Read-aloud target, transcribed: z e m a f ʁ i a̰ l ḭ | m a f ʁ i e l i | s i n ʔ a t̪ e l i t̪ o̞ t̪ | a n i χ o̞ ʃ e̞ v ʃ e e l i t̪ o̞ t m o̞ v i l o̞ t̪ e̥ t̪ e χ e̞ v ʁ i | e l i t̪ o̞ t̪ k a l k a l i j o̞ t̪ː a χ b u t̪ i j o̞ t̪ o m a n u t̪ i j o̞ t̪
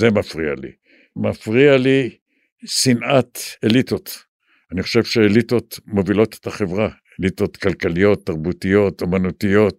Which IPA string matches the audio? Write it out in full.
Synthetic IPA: z e m a f ʁ i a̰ l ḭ | m a f ʁ i a l i | s i n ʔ a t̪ e l i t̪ o̞ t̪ | a n i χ o̞ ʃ e̞ v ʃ e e l i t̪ o̞ t m o̞ v i l o̞ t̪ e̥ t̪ a χ e̞ v ʁ a | e l i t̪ o̞ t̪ k a l k a l i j o̞ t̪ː a ʁ b u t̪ i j o̞ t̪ o m a n u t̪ i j o̞ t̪